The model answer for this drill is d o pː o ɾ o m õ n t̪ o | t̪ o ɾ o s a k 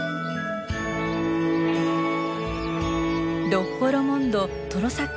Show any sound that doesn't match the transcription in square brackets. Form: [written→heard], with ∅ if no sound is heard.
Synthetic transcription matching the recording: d o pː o ɾ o m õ n [t̪→d̪] o | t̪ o ɾ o s a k